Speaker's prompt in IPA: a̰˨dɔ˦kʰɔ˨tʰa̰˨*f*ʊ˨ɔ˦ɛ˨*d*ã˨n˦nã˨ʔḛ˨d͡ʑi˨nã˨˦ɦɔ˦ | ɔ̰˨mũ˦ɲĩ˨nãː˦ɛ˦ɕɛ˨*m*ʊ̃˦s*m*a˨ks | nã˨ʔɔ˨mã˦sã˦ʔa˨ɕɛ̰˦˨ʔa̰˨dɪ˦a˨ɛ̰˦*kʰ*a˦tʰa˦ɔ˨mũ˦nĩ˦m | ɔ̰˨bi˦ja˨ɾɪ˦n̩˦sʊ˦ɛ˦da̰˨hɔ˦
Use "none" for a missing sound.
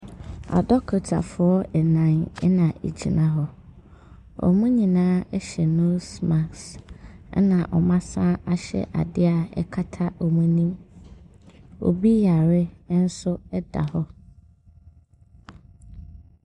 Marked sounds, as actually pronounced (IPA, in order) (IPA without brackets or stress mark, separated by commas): f, n, n, m, kʰ